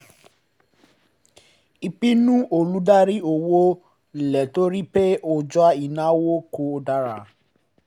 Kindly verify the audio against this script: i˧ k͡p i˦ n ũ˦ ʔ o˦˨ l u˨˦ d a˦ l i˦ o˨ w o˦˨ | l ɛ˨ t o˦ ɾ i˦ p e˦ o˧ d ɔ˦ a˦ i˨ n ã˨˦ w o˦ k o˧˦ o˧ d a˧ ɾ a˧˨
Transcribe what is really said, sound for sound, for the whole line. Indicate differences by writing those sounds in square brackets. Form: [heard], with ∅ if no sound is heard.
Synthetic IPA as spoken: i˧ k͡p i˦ n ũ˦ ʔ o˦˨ l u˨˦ d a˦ [ɾ] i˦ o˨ w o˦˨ | l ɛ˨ t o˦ ɾ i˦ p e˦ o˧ [d͡ʒ] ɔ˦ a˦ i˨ n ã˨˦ w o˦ k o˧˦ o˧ d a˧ ɾ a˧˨

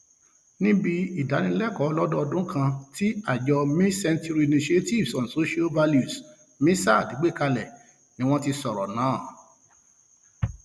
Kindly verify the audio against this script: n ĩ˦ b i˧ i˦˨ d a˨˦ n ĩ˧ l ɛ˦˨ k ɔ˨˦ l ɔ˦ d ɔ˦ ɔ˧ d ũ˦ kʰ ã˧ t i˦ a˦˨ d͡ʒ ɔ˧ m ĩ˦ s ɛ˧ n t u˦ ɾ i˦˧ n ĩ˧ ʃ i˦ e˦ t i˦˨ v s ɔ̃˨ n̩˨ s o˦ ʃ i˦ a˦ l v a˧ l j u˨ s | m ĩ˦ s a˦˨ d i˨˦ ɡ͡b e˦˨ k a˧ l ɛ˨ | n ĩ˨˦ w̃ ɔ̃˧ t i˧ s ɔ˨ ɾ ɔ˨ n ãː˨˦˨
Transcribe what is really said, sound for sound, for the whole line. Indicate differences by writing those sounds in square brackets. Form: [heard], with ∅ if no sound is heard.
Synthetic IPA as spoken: n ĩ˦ b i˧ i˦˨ d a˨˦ n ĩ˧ l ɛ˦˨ k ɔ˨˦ l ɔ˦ d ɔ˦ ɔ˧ d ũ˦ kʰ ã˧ t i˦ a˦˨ d͡ʒ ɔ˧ m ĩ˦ s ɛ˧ n t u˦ ɾ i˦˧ n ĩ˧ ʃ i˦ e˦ t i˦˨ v s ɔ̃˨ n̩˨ s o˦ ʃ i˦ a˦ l v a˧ l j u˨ s | m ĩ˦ s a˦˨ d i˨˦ ɡ͡b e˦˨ k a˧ l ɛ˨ | n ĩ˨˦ w̃ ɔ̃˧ t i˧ s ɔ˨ ɾ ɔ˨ n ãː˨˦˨

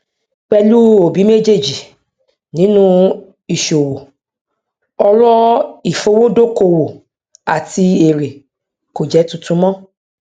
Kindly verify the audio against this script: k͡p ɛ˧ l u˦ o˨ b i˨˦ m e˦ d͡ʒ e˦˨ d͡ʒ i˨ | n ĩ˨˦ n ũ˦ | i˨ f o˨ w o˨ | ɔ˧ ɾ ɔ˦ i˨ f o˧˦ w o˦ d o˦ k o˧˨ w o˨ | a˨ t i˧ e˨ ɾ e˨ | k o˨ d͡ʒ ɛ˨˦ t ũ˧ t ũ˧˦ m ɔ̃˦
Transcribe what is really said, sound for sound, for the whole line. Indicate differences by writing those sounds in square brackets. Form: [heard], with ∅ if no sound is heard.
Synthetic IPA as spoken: k͡p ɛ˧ l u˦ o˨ b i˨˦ m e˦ d͡ʒ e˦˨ d͡ʒ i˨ | n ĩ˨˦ n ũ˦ | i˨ [ʃ] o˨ w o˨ | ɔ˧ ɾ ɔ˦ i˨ f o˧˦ w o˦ d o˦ k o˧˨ w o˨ | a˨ t i˧ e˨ ɾ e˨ | k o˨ d͡ʒ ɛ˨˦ t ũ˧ t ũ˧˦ m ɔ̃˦

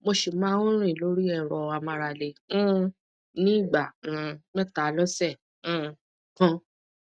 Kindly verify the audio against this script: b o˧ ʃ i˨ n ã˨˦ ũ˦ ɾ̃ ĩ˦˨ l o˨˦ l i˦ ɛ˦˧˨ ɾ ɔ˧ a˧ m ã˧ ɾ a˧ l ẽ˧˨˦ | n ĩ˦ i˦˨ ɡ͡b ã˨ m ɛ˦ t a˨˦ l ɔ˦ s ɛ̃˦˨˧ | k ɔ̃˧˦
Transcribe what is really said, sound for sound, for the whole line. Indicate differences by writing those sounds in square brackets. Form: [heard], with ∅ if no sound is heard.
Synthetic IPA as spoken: [m] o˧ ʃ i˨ [m] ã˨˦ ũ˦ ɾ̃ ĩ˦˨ l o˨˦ [ɾ] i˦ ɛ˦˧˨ ɾ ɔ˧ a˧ m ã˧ ɾ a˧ l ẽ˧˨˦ | n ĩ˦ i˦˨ ɡ͡b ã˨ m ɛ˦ t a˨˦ l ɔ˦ s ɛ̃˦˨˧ | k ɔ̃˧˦

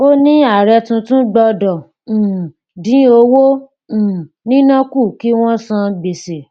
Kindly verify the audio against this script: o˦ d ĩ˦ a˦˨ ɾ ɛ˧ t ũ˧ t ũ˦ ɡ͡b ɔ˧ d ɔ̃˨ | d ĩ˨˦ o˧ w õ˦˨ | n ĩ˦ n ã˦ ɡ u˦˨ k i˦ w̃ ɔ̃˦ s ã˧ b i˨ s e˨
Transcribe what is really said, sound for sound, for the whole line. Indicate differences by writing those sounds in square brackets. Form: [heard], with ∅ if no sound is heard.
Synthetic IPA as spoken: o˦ [n] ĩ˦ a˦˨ ɾ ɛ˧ t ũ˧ t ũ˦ ɡ͡b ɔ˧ d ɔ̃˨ | d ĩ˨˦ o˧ w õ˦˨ | n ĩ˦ n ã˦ [k] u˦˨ k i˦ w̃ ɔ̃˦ s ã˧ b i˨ s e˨

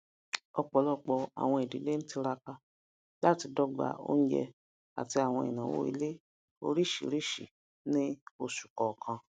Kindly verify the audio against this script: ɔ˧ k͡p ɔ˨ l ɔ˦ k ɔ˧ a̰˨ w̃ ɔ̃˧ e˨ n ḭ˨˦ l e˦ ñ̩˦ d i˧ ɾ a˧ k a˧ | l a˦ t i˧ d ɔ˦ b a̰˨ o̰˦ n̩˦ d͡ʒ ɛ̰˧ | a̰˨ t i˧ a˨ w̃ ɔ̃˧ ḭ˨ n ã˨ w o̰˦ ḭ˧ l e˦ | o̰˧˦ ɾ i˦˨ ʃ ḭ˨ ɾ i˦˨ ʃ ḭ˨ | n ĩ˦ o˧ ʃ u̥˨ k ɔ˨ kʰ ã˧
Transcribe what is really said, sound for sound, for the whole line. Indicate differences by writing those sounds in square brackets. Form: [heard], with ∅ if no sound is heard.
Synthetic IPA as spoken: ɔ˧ k͡p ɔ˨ l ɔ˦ [k͡p] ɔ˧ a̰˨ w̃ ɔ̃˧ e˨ [d] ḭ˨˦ l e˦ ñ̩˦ [t] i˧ ɾ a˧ k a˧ | l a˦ t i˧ d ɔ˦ [ɡ͡b] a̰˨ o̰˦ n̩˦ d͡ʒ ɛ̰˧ | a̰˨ t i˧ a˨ w̃ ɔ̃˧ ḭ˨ n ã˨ w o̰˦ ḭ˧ l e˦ | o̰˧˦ ɾ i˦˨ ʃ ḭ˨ ɾ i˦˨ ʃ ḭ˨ | n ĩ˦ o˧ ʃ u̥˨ k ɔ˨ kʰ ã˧

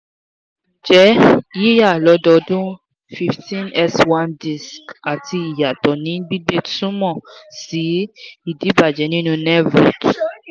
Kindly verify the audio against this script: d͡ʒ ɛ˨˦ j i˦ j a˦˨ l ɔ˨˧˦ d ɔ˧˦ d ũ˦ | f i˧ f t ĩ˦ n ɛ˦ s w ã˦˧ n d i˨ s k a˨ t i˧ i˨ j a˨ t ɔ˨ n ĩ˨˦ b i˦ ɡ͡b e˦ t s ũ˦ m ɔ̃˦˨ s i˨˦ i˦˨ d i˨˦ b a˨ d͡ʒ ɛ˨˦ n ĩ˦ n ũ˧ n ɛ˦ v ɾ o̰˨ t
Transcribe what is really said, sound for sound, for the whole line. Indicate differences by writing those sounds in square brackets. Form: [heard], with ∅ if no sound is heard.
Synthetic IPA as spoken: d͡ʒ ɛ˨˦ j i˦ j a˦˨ l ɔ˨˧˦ d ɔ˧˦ d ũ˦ | f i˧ f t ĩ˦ n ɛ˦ s w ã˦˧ n d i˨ s k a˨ t i˧ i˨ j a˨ t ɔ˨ n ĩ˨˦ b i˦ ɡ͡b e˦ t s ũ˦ m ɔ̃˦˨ s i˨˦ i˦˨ d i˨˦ b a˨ d͡ʒ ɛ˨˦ n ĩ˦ n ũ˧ n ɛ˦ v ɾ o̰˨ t

